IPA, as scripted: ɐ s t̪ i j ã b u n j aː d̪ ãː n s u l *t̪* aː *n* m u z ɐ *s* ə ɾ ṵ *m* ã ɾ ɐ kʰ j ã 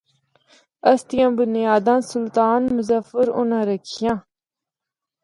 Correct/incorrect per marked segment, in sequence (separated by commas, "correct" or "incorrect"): correct, correct, incorrect, incorrect